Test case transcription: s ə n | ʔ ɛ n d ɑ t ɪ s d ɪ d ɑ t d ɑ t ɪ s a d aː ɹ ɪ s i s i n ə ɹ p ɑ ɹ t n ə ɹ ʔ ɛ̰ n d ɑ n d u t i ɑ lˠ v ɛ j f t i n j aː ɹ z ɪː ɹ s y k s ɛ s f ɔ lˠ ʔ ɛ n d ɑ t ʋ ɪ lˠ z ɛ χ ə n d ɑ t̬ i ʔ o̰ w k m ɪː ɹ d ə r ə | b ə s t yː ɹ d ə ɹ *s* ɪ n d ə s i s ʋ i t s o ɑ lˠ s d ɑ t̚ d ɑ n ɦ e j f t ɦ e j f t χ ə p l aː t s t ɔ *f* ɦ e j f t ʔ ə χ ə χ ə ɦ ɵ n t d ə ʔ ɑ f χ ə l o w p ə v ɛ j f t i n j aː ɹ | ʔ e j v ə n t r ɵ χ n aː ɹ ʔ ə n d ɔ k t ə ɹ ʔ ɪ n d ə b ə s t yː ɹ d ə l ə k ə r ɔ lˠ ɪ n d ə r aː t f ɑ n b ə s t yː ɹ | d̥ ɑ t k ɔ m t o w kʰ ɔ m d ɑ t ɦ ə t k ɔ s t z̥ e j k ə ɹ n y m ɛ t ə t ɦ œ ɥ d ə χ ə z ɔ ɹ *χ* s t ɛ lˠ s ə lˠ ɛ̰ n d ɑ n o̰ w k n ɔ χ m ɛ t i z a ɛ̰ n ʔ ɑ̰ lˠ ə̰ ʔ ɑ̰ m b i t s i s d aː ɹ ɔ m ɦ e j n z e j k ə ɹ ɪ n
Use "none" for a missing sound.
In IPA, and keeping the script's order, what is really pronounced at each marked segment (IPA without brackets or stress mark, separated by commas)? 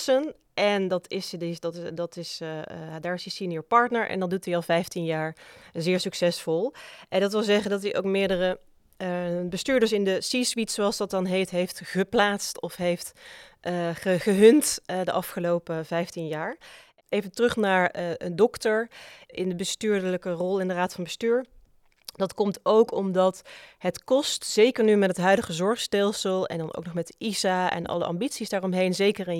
s, f, χ